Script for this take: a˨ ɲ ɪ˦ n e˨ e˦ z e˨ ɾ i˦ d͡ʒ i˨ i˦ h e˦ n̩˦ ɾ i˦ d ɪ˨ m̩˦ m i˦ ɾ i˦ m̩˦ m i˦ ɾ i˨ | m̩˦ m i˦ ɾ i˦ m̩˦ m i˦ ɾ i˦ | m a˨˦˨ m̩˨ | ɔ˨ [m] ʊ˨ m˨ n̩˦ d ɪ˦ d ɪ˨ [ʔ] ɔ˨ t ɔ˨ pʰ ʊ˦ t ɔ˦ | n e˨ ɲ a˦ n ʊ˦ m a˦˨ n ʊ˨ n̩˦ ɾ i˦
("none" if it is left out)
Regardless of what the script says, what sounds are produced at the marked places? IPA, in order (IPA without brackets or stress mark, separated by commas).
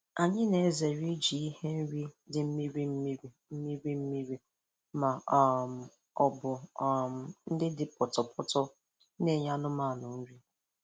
b, p